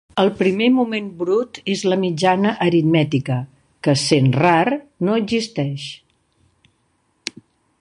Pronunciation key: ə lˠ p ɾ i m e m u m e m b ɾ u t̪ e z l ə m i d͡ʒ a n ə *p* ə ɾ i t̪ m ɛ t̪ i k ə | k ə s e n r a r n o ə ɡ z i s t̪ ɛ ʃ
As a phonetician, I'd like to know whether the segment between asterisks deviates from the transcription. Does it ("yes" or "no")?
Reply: yes